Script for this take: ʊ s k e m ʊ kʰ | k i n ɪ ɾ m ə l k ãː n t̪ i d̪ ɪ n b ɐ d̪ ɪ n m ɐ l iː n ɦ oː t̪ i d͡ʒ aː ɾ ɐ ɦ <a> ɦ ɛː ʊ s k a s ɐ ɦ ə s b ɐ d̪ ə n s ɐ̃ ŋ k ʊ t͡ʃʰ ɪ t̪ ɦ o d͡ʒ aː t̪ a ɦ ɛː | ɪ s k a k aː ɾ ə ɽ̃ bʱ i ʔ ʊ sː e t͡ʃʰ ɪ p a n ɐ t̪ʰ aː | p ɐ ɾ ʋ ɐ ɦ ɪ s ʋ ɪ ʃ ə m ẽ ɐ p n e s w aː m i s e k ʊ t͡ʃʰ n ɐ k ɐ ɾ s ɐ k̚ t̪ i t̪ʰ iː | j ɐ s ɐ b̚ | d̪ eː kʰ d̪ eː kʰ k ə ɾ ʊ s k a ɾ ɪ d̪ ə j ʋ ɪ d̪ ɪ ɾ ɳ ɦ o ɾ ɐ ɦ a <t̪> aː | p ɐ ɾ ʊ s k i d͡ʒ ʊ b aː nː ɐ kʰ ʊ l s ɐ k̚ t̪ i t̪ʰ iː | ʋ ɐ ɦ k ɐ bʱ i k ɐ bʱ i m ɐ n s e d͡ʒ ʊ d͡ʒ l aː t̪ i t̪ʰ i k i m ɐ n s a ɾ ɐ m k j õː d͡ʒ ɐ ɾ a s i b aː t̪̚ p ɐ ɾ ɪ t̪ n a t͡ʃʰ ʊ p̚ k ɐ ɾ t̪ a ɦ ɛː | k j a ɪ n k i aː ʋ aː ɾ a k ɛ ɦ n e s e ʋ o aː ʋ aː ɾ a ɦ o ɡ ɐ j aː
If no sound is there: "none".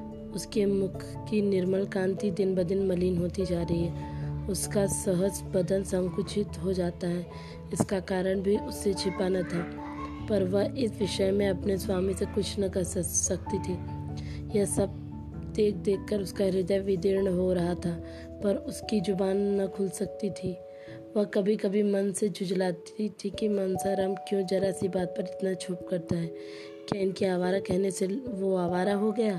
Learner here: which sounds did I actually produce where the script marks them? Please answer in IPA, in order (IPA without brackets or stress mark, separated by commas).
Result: i, t̪ʰ